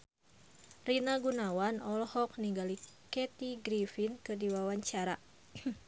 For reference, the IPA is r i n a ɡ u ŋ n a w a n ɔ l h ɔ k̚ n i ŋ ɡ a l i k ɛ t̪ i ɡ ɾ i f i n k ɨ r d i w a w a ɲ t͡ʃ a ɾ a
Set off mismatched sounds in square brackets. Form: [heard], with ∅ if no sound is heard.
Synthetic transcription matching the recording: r i n a ɡ u [∅] n a w a n ɔ l h ɔ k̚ n i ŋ ɡ a l i k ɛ t̪ i ɡ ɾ i f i n k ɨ r d i w a w a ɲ t͡ʃ a ɾ a

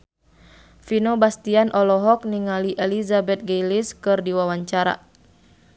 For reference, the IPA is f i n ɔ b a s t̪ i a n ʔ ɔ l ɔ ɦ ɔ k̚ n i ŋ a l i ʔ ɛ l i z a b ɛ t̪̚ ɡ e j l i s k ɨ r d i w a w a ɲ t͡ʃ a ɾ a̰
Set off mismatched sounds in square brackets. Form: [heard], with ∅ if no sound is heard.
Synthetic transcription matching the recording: f i n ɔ b a s t̪ i a n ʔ ɔ l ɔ ɦ ɔ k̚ n i ŋ a l i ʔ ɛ l i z a b ɛ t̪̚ ɡ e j l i s k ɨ r d i w a w a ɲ t͡ʃ a ɾ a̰

